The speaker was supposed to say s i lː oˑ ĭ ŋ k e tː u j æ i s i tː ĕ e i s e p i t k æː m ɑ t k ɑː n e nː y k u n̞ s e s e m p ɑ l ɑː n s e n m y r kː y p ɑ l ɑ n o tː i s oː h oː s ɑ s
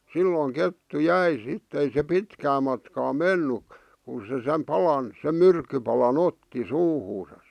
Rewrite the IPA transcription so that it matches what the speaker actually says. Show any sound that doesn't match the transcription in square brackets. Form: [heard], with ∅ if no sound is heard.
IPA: s i lː oˑ ĭ ŋ k e tː u j æ i s i tː ĕ e i s e p i t k æː m ɑ t k ɑː [m] e nː y k u n̞ s e s e m p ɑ l [ɑ] n s e [m] m y r kː y p ɑ l ɑ n o tː i s [uː] h [uː] s ɑ s